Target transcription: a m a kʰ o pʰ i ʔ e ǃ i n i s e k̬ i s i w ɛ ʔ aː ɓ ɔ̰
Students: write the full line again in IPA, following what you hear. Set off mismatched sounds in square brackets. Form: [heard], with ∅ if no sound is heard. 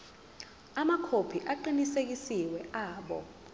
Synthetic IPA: a m a kʰ o pʰ i ʔ [a] ǃ i n i s e k̬ i s i w ɛ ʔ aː ɓ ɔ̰